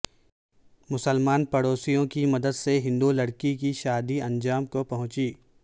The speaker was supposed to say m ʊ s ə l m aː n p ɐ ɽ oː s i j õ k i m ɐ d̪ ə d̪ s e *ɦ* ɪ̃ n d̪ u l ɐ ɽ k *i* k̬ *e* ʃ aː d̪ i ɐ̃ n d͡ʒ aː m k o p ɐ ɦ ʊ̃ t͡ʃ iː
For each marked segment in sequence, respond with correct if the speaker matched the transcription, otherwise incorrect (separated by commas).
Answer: correct, correct, incorrect